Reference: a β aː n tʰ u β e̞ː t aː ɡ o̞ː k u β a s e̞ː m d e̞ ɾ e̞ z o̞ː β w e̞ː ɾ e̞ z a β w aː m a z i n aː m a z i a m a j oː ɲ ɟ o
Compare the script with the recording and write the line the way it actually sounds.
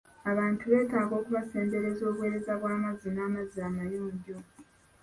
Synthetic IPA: a β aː n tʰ u β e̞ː t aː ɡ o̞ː k u β a s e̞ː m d e̞ ɾ e̞ z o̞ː β w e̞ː ɾ e̞ z a β w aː m a z i n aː m a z i a m a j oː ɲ ɟ o